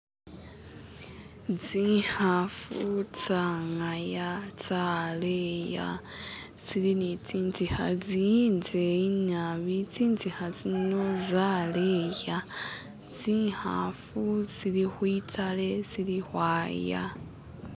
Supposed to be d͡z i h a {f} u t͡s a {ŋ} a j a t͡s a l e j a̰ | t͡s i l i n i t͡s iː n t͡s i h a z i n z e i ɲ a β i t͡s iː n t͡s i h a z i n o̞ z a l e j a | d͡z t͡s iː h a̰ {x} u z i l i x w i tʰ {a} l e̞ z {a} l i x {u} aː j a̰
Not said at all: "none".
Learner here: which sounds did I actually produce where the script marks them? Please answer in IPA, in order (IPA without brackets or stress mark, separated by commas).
f, ŋ, f, a, i, w